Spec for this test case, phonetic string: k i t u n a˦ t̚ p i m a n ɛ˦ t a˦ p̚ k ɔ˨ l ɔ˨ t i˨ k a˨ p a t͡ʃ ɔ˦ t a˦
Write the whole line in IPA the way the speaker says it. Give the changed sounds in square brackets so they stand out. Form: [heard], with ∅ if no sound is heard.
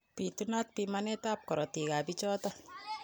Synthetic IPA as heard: [p] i t u n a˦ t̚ p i m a n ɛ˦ t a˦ p̚ k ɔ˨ [ɾ] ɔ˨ t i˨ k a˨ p [i] t͡ʃ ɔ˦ t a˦